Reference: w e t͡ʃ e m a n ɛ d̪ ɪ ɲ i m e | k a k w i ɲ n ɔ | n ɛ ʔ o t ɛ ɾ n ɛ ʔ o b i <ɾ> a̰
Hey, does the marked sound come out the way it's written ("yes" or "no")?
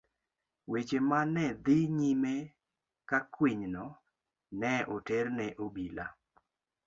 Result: no